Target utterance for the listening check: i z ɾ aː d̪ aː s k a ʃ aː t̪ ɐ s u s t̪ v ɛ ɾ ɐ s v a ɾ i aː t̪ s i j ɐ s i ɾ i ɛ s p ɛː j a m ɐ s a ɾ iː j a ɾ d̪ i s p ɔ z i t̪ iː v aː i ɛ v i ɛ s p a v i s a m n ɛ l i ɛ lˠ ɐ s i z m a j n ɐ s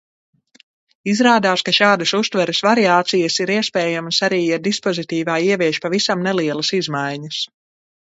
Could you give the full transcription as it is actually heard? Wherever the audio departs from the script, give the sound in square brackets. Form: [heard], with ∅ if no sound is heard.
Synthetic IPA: i z ɾ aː d̪ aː s k a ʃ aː [d̪] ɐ s u s t̪ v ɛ ɾ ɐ s v a ɾ i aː t̪ s i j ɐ s i ɾ i ɛ s p ɛː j a m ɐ s a ɾ iː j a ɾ d̪ i s p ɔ z i t̪ iː v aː i ɛ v i ɛ [ʃ] p a v i s a m n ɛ l i ɛ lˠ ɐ s i z m a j [ɲ] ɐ s